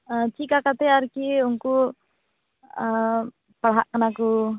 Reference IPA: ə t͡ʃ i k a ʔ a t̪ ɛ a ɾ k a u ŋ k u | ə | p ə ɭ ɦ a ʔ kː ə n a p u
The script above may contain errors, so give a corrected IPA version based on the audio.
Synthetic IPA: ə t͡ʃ i k a k a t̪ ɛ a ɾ k i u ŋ k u | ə | p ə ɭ ɦ a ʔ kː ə n a k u